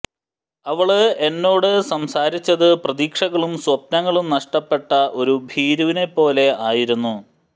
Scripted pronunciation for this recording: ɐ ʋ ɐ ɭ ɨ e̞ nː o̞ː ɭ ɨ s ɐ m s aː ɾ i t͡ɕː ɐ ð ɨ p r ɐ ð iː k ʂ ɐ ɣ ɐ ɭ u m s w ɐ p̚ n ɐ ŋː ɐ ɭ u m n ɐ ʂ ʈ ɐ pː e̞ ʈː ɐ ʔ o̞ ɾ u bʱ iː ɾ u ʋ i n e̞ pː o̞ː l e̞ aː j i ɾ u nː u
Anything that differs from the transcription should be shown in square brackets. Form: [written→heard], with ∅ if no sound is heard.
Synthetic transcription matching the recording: ɐ ʋ ɐ ɭ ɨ e̞ nː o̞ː [ɭ→ɽ] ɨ s ɐ m s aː ɾ i t͡ɕː ɐ ð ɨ p r ɐ ð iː k ʂ ɐ ɣ ɐ ɭ u m s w ɐ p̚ n ɐ ŋː ɐ ɭ u m n ɐ ʂ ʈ ɐ pː e̞ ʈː ɐ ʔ o̞ ɾ u bʱ iː ɾ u ʋ i n e̞ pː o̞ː l e̞ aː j i ɾ u nː u